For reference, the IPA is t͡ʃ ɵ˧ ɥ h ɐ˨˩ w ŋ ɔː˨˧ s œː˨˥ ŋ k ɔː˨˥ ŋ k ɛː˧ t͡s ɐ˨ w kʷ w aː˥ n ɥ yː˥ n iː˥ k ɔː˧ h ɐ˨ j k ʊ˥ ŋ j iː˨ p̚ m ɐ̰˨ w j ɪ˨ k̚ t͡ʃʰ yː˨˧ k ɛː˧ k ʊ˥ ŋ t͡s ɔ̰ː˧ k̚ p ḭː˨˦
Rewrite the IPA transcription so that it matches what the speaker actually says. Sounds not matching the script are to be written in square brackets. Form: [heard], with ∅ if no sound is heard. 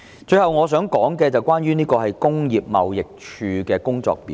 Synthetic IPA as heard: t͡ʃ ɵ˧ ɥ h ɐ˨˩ w ŋ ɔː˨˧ s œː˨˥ ŋ k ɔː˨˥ ŋ k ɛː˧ t͡s ɐ˨ w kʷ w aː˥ n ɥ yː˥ n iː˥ k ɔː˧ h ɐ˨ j k ʊ˥ ŋ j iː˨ p̚ m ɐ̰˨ w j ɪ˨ k̚ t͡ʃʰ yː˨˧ k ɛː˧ k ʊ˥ ŋ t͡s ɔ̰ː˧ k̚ p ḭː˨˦